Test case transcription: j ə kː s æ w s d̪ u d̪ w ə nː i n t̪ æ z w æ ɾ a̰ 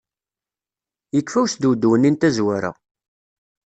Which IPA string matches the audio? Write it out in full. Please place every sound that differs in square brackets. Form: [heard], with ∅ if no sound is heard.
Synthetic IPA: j ə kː [f] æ w s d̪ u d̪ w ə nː i n t̪ æ z w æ ɾ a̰